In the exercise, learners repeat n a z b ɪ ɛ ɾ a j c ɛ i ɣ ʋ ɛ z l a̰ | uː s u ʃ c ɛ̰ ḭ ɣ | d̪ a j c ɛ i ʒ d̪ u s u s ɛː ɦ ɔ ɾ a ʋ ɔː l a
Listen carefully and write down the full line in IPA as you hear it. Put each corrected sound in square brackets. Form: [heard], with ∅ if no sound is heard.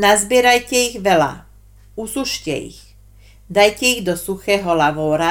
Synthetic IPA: n a z b ɪ ɛ ɾ a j c ɛ i ɣ ʋ ɛ [∅] l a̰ | [u] s u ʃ c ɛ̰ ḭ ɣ | d̪ a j c ɛ i [ɣ] d̪ [ɔ] s u [x] ɛː ɦ ɔ [l] a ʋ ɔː [ɾ] a